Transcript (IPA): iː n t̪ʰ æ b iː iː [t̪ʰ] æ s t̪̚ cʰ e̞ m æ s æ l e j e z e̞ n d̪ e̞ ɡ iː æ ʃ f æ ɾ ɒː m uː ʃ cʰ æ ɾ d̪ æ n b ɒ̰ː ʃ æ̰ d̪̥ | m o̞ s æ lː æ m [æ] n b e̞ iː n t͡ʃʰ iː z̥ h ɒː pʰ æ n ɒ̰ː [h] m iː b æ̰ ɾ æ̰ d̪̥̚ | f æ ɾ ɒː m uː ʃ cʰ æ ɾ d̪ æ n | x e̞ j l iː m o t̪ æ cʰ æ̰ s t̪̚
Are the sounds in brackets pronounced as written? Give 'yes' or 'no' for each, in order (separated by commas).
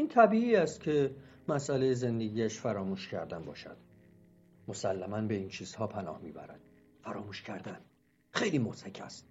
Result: no, yes, yes